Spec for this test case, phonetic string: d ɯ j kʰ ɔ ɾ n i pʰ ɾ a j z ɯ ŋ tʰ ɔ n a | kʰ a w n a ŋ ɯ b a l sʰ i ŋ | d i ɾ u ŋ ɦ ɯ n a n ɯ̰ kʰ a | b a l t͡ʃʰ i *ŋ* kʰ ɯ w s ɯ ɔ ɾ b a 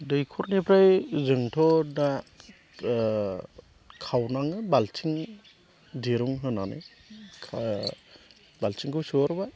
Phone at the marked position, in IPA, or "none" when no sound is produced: ŋ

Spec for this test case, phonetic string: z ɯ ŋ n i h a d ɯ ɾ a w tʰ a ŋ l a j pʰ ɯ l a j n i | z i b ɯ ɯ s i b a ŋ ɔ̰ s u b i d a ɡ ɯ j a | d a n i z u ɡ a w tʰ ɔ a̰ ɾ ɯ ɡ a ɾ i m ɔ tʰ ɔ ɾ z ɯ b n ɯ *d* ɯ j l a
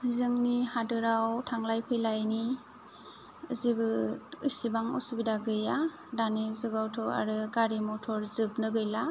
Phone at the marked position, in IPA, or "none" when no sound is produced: ɡ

